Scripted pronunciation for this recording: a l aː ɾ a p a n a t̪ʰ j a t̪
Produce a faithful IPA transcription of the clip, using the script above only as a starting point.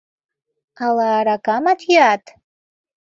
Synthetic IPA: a l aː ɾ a k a m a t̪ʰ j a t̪